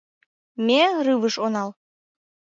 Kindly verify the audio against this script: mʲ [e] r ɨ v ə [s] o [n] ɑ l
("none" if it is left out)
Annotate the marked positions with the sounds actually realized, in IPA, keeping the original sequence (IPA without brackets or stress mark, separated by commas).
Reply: e, ʃ, n